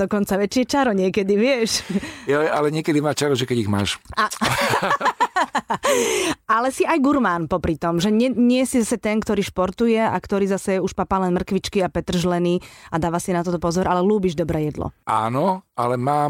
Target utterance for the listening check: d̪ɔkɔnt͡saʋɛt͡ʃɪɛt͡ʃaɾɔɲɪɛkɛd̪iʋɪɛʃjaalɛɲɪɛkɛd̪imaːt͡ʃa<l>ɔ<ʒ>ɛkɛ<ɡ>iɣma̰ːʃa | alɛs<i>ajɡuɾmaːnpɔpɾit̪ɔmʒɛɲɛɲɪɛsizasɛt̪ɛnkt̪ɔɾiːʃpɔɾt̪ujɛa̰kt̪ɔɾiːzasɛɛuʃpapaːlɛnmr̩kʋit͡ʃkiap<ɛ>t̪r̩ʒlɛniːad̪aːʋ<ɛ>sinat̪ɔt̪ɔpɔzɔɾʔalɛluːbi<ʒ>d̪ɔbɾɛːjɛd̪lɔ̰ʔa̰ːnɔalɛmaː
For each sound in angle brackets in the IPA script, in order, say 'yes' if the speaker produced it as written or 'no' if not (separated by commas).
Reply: no, yes, no, yes, yes, no, yes